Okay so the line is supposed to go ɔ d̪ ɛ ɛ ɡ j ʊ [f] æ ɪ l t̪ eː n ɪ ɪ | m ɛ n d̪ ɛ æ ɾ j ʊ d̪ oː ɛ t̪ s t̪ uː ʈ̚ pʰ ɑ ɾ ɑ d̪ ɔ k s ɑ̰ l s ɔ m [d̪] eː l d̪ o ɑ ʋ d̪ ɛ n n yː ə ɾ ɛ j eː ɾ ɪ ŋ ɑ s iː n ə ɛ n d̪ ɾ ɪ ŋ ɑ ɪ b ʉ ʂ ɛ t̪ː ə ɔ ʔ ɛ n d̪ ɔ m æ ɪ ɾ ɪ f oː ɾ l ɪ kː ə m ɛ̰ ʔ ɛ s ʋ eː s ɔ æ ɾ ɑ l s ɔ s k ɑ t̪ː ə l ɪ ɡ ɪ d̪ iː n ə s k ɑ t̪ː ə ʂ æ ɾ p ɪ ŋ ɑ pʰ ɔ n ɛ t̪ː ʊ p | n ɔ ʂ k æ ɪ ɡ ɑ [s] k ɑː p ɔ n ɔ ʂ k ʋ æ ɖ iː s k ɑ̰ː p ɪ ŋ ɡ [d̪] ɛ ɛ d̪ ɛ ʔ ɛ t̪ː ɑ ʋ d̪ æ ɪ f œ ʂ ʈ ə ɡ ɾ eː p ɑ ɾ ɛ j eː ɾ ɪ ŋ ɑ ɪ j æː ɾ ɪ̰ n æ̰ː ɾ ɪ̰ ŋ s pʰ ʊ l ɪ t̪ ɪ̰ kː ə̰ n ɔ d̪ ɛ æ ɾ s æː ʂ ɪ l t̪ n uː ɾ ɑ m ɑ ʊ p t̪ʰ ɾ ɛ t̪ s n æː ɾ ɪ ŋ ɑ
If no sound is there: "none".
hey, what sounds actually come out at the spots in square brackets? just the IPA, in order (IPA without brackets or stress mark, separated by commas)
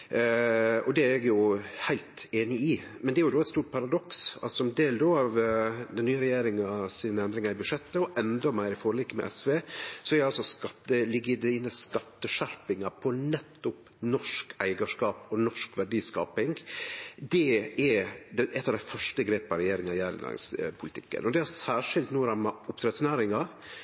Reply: h, d̪, ʂ, d̪